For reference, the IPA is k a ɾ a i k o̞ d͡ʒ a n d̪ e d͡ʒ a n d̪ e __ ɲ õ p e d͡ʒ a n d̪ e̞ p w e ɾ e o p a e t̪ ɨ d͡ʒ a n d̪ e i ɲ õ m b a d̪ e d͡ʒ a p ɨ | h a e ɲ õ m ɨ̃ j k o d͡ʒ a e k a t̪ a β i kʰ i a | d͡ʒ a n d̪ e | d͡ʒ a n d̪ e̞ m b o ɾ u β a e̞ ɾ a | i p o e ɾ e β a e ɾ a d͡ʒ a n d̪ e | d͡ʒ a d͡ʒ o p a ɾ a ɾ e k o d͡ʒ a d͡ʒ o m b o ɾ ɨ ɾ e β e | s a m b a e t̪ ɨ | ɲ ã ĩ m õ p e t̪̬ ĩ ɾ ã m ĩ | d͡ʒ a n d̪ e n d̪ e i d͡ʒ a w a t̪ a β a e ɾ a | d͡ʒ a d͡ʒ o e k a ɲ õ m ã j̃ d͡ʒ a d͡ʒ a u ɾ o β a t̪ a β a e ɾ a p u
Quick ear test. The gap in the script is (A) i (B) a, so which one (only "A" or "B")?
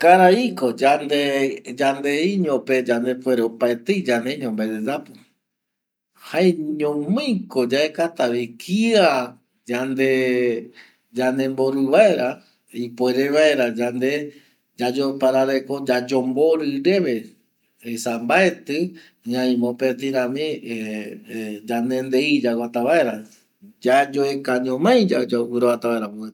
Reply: A